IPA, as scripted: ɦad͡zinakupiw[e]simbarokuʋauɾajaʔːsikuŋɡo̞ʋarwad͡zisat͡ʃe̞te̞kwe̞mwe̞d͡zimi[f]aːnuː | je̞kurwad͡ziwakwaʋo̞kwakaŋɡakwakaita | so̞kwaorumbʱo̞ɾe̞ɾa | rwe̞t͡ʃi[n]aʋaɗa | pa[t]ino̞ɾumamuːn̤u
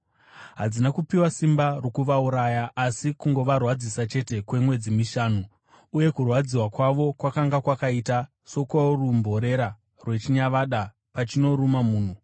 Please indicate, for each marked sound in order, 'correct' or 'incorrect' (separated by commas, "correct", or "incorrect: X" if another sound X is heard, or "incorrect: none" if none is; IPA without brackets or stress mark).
incorrect: a, incorrect: ʃ, incorrect: ɲ, incorrect: t͡ʃ